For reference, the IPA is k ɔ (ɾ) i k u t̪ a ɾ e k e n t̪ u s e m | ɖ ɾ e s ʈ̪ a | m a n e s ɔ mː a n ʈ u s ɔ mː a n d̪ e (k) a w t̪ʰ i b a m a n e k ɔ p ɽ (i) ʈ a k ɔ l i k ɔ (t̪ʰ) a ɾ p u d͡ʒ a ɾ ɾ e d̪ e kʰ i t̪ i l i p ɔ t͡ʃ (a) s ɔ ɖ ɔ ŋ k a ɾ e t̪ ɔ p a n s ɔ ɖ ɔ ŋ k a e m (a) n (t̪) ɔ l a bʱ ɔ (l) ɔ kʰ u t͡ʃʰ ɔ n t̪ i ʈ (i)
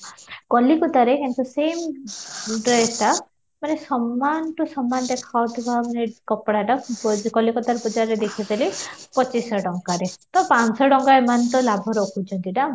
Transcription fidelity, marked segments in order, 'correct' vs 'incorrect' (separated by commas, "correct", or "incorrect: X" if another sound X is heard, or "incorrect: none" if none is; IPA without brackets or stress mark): incorrect: l, incorrect: kʰ, incorrect: a, incorrect: t̪, incorrect: i, correct, correct, incorrect: ɾ, incorrect: a